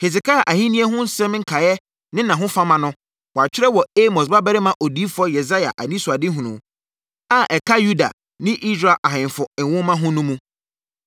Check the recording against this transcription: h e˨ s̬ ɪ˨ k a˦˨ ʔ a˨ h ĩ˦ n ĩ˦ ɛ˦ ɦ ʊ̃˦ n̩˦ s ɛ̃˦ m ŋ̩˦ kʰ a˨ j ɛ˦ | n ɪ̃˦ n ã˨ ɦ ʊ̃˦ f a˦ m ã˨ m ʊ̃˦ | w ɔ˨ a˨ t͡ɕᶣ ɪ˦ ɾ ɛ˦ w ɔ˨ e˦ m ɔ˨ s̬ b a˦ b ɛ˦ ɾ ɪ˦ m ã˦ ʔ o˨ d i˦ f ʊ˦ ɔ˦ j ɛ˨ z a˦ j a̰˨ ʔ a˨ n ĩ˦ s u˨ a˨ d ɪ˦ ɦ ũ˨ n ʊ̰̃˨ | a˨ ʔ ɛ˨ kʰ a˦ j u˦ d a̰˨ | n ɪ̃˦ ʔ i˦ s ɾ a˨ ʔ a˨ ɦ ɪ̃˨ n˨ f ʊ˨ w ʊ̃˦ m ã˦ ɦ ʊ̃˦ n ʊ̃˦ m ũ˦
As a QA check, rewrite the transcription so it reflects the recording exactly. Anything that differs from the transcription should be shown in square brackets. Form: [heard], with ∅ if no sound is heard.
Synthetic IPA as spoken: h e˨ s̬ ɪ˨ k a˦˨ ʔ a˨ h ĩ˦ n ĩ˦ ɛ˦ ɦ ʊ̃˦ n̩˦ s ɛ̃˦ m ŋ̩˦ kʰ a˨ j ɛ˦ | n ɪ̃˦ n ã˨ ɦ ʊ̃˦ f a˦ m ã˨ [n] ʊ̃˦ | w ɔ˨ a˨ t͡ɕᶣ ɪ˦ ɾ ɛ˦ w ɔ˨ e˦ m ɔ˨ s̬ b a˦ b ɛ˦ ɾ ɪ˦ m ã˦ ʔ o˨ d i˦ f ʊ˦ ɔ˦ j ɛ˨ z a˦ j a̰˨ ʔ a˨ n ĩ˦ s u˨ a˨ d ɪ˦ ɦ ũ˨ n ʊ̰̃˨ | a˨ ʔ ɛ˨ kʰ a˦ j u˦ d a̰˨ | n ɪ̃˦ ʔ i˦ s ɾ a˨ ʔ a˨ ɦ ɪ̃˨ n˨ f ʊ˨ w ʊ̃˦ m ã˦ ɦ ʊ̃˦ n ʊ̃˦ m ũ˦

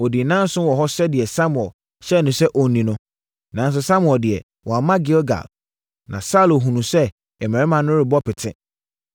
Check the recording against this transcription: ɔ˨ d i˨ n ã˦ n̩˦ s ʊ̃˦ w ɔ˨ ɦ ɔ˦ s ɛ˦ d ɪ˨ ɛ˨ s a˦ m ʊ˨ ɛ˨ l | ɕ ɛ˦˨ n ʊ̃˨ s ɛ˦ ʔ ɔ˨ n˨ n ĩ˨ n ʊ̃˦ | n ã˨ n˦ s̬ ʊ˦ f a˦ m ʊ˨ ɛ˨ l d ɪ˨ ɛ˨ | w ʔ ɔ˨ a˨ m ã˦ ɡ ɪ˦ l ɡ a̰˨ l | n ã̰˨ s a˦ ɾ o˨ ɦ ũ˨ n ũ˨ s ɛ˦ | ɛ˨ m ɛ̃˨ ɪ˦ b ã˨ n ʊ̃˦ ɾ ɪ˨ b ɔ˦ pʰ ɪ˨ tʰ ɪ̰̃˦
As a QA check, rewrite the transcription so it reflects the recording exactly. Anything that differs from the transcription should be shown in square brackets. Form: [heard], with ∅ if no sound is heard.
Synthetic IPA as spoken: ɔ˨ d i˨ n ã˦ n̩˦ s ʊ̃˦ w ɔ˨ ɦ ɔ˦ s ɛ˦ d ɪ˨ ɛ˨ s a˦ m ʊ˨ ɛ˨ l | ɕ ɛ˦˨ n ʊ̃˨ s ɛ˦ ʔ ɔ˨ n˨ n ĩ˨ n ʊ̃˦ | n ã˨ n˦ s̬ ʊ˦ [s] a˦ m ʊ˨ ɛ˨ l d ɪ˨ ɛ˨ | w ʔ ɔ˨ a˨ m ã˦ ɡ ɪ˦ l ɡ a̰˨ l | n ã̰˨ s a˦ [l] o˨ ɦ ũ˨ n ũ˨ s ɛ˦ | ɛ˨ m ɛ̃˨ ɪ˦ [m] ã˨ n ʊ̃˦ ɾ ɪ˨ b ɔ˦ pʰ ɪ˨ tʰ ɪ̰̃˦

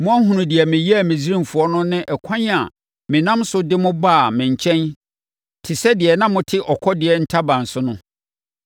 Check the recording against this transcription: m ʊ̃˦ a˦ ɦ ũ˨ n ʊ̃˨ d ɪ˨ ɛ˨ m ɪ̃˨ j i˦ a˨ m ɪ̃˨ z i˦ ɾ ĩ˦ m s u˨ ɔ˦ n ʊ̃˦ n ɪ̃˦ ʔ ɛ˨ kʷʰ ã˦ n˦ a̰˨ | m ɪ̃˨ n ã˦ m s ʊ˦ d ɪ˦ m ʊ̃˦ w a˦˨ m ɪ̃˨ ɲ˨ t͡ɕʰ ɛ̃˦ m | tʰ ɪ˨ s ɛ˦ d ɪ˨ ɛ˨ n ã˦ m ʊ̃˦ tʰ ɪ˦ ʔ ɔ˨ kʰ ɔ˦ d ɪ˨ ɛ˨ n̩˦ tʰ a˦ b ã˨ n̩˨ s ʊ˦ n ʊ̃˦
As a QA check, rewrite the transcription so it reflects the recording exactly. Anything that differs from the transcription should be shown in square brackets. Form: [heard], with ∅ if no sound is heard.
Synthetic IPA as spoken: m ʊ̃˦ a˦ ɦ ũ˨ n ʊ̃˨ d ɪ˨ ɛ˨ m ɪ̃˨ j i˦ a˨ m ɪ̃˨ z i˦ ɾ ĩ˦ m [f] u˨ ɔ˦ n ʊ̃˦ n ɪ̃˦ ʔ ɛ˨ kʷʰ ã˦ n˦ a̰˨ | m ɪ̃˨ n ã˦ m s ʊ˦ d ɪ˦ m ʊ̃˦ [b] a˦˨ m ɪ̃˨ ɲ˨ t͡ɕʰ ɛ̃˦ [n] | tʰ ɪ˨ s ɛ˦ d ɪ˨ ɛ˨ n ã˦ m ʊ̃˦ tʰ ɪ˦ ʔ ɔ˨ kʰ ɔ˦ d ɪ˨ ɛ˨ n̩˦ tʰ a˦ b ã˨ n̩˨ s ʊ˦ n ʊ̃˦

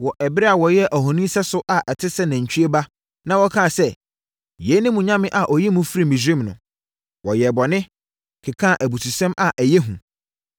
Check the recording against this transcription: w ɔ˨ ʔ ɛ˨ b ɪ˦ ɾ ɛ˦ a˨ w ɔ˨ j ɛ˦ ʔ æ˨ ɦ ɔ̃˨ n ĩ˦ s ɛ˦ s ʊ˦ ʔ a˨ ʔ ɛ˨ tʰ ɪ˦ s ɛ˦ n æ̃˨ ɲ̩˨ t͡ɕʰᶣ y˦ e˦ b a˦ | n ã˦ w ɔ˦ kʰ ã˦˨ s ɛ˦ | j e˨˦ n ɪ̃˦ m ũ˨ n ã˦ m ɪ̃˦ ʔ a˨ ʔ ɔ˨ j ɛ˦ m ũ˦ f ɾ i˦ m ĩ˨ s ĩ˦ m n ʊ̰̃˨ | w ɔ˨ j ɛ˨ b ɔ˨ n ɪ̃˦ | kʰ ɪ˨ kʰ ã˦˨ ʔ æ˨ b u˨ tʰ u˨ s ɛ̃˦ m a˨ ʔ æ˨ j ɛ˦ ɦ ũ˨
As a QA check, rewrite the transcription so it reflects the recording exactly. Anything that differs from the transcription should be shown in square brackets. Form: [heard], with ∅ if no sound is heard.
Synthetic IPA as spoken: w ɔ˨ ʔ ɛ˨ b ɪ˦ ɾ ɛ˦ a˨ w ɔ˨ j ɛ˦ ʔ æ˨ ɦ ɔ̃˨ n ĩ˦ s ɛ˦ s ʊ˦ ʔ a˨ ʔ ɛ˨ tʰ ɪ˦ s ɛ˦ n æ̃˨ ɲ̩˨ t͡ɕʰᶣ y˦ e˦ b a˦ | n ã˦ w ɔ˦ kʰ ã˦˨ s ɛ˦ | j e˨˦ n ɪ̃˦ m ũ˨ [ɲ] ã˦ m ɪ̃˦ ʔ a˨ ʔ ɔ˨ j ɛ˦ m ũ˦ f ɾ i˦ m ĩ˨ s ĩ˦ m n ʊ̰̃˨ | w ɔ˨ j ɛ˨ b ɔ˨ n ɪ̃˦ | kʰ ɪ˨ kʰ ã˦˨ ʔ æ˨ b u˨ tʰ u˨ s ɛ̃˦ m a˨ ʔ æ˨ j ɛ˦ ɦ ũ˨

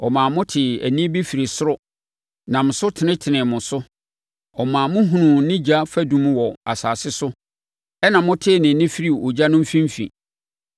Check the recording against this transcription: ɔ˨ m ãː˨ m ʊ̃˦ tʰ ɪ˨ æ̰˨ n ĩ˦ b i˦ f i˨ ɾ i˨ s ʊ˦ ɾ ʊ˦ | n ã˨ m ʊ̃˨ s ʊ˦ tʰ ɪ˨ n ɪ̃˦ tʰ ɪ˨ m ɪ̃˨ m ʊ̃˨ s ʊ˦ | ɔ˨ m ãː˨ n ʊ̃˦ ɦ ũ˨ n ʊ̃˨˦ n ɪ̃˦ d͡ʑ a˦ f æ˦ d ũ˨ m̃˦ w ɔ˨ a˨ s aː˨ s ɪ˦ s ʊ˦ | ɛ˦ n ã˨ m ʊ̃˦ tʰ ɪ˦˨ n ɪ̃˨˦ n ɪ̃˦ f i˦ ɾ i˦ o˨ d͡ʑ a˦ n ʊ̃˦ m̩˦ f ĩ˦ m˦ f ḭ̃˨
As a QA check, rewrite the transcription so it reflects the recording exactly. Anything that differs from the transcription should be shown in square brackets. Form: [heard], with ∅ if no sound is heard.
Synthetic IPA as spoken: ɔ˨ m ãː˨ m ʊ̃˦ tʰ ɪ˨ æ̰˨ n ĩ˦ b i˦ f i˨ ɾ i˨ s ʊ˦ ɾ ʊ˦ | n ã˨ m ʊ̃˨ s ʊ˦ tʰ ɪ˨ n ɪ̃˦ tʰ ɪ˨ [n] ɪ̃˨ m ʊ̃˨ s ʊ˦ | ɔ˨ m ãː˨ [m] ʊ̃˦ ɦ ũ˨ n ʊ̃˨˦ n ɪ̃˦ d͡ʑ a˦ f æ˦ d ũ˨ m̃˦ w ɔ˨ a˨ s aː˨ s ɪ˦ s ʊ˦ | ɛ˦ n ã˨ m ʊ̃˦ tʰ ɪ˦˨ n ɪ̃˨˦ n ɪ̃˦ f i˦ ɾ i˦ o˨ d͡ʑ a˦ n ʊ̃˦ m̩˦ f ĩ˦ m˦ f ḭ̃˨

